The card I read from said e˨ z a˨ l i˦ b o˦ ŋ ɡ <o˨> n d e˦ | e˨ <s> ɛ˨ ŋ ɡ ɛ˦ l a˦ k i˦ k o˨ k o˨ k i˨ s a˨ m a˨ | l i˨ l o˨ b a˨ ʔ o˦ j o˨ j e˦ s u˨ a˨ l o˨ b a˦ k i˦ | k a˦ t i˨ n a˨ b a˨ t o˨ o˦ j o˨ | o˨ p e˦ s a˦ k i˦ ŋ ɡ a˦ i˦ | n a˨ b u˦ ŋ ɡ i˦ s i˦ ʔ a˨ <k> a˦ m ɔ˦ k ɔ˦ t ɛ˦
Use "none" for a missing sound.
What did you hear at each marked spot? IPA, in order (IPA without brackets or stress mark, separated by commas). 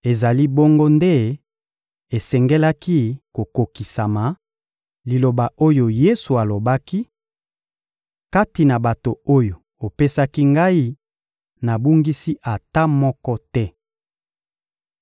o˦, s, t